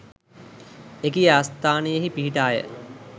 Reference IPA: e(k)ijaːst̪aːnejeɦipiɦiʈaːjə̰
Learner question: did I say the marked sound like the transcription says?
yes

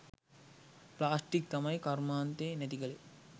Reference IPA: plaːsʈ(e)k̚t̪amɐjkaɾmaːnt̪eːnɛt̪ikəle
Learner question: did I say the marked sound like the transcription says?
no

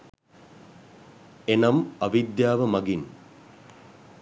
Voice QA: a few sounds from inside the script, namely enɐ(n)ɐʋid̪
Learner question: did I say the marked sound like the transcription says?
no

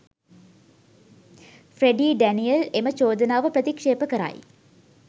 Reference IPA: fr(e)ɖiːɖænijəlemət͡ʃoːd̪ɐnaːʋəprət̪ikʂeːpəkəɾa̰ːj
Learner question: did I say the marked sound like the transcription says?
yes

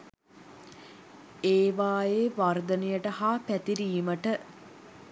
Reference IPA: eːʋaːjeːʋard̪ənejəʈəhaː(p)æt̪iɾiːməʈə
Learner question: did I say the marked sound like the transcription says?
yes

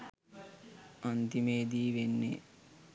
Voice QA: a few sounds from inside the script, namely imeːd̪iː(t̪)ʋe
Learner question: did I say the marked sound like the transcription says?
no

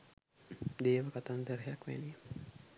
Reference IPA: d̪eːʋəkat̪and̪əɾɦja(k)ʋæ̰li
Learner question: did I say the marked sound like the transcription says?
yes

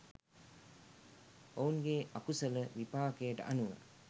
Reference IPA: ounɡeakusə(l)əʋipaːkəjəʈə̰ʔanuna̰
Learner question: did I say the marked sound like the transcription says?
yes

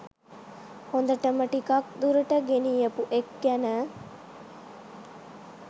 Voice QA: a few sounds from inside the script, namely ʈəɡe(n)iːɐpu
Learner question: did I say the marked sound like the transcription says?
yes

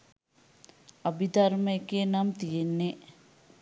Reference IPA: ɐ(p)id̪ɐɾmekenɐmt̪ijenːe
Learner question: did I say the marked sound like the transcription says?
no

